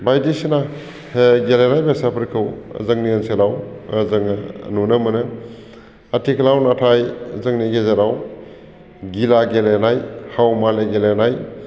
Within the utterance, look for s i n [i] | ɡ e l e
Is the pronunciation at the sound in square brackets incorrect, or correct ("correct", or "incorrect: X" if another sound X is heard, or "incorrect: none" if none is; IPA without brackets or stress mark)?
incorrect: a